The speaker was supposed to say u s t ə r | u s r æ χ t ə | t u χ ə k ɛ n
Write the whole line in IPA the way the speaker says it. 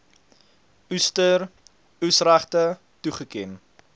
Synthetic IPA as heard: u s t ə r | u s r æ χ t ə | t u χ ə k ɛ n